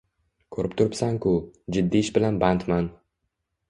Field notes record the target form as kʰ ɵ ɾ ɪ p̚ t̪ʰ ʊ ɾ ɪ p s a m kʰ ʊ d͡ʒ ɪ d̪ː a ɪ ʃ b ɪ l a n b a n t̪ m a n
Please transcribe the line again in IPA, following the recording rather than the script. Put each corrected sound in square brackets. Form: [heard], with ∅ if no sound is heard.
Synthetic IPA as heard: kʰ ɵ ɾ ɪ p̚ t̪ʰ ʊ ɾ ɪ p s a [ŋ] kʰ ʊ d͡ʒ ɪ d̪ː [i] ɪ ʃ b ɪ l a n b a n t̪ m a n